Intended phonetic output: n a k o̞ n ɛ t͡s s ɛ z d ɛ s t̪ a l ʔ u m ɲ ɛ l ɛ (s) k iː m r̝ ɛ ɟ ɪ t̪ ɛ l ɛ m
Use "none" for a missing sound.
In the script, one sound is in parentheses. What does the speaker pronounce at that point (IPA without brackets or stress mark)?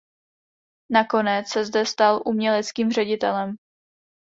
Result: t͡s